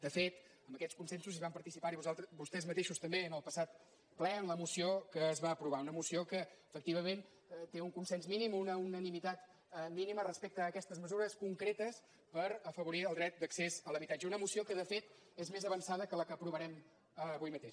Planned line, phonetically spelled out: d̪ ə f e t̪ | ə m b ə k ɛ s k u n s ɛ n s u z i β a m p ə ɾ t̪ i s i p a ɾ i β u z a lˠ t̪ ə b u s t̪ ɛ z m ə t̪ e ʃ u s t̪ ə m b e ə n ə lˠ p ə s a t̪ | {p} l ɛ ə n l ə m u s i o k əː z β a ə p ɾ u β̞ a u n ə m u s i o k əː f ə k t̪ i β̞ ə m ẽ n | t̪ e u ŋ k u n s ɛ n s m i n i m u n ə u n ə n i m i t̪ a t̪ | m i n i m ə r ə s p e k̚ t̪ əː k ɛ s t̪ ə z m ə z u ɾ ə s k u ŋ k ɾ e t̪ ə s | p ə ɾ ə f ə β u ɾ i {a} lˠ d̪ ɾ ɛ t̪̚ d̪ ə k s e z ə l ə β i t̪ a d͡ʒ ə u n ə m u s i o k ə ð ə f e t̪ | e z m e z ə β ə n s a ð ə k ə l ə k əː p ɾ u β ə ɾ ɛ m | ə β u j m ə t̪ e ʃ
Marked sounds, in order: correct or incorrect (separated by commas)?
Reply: correct, incorrect